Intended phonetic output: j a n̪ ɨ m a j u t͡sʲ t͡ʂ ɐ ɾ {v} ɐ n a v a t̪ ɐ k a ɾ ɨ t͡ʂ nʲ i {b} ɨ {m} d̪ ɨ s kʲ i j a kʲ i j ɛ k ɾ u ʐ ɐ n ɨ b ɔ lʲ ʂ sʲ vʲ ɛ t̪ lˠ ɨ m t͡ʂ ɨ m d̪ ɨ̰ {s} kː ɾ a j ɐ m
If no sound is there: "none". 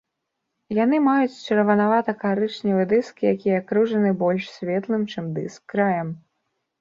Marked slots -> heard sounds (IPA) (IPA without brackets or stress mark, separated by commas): v, v, none, s